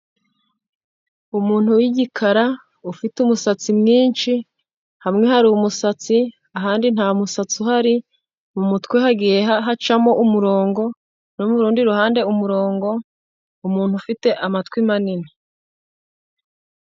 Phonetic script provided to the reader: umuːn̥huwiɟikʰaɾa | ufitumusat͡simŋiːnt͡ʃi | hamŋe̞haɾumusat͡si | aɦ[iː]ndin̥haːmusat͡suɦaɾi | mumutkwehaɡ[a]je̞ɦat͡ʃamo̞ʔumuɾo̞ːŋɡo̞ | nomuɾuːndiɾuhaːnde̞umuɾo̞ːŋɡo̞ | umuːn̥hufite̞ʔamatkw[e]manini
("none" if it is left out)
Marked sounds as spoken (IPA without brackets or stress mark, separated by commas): aː, i, i